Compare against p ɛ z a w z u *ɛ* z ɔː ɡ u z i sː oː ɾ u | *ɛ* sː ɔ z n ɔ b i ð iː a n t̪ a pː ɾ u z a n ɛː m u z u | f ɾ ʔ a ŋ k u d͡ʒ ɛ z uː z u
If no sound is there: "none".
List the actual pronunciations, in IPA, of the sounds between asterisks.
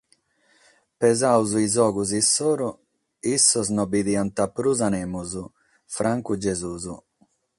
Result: i, i

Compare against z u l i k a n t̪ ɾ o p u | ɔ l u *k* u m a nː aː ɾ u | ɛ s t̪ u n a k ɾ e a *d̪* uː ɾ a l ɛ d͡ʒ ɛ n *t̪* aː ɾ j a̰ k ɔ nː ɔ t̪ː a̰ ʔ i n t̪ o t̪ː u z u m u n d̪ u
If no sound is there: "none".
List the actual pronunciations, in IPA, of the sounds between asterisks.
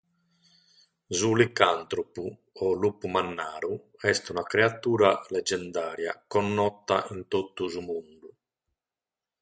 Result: p, t̪, d̪

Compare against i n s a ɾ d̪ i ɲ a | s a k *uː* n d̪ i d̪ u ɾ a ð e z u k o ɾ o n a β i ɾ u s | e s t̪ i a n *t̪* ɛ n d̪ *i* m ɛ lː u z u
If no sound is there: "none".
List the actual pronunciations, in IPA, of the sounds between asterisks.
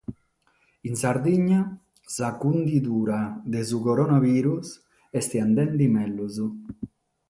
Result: u, d̪, i

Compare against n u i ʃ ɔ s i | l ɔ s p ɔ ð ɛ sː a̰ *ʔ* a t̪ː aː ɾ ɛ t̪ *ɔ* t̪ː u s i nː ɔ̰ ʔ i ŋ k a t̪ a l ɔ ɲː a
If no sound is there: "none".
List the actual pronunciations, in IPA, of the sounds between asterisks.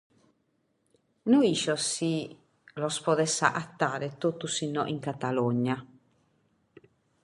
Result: ʔ, o

